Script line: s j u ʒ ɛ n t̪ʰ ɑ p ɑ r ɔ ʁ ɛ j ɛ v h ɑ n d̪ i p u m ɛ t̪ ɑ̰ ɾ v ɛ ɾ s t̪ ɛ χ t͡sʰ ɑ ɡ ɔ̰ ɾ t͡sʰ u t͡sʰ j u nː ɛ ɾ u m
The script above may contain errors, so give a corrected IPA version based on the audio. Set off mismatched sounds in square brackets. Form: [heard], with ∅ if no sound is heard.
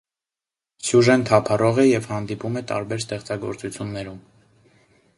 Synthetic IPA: s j u ʒ ɛ n t̪ʰ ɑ [pʰ] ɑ r ɔ ʁ ɛ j ɛ v h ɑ n d̪ i p u m ɛ t̪ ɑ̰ ɾ [b] ɛ ɾ s t̪ ɛ χ [t͡s] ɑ ɡ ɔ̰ ɾ [t͡s] u t͡sʰ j u nː ɛ ɾ u m